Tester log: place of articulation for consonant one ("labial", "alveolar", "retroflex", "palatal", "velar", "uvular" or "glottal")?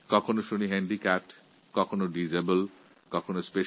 velar